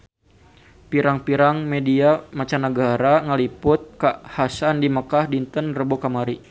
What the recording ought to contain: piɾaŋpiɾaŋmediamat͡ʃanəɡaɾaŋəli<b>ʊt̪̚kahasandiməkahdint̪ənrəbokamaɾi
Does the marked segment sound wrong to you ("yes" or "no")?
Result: yes